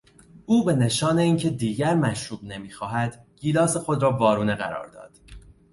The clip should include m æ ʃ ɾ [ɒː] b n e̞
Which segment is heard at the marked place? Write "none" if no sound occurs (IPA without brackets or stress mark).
uː